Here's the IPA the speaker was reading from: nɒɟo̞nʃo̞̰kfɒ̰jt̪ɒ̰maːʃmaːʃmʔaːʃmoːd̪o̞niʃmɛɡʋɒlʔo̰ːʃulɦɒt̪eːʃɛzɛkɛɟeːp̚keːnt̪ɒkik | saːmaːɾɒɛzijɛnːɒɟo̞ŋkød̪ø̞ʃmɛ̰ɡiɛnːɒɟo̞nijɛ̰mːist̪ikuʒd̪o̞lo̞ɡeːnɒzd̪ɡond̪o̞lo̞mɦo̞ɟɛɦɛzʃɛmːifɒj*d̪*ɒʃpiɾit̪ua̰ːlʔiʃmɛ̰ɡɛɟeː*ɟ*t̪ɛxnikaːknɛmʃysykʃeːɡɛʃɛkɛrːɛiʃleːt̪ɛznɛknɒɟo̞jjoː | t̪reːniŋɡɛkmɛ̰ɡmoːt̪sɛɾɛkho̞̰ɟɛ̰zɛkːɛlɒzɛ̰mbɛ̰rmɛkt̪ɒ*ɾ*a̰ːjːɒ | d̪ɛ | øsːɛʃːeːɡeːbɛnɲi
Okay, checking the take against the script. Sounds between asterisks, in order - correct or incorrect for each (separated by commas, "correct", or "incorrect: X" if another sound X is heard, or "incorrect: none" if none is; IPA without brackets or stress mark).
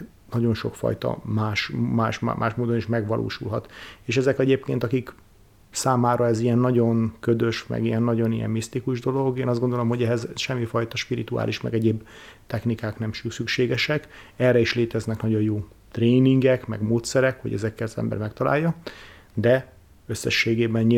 incorrect: t̪, incorrect: b, incorrect: l